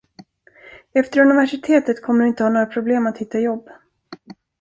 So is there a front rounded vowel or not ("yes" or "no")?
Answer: no